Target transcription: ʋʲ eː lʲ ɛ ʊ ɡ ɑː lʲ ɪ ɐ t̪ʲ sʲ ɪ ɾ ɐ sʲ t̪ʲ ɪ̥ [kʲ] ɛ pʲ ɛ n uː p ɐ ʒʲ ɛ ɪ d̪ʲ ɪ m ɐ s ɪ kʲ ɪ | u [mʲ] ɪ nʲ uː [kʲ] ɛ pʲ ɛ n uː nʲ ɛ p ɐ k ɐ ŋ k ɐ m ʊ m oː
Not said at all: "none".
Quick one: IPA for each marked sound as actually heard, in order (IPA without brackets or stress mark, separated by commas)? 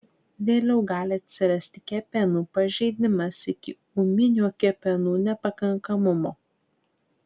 kʲ, mʲ, kʲ